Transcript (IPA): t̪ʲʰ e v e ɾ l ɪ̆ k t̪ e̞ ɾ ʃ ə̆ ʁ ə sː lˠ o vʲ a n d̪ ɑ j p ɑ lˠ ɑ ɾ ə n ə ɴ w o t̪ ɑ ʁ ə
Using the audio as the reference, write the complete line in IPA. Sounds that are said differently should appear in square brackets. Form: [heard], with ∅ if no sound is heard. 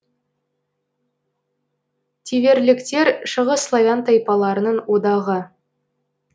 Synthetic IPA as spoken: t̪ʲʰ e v e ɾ l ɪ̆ k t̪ e̞ ɾ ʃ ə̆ ʁ ə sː lˠ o vʲ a n [t̪] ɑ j p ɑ lˠ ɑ ɾ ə n ə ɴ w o [d̪] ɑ ʁ ə